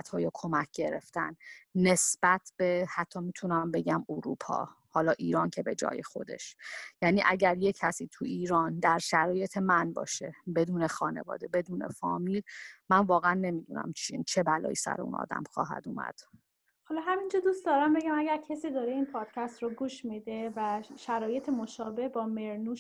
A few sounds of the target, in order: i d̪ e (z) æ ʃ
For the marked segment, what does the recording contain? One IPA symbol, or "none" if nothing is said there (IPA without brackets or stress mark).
v